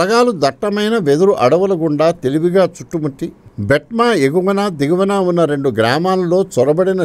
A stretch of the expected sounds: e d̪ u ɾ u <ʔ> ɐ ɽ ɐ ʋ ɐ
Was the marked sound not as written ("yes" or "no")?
no